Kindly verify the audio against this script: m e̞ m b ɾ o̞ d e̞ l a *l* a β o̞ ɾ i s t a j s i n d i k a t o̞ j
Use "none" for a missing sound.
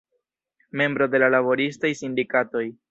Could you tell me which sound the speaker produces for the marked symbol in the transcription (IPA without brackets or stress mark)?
l